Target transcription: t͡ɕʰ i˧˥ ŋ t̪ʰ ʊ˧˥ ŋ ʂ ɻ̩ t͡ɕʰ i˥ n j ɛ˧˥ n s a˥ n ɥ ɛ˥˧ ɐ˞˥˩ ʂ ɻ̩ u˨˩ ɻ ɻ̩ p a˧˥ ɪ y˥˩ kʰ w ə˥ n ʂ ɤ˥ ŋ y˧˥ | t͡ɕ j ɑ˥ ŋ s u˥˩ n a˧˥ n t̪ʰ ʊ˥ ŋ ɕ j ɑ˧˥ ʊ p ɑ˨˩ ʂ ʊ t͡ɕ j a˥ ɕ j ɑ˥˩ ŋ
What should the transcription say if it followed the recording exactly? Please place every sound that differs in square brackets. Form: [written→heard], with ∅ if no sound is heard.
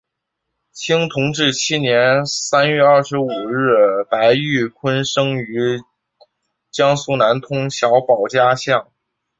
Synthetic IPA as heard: t͡ɕʰ [i˧˥→i˥] ŋ t̪ʰ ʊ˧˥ ŋ [ʂ→ʈ͡ʂ] ɻ̩ t͡ɕʰ i˥ n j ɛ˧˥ n s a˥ n ɥ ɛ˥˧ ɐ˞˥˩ ʂ ɻ̩ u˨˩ ɻ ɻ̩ p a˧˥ ɪ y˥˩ kʰ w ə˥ n ʂ ɤ˥ ŋ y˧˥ | t͡ɕ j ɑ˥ ŋ s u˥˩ n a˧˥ n t̪ʰ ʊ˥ ŋ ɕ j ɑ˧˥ ʊ p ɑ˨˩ [ʂ→∅] ʊ t͡ɕ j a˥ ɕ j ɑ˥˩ ŋ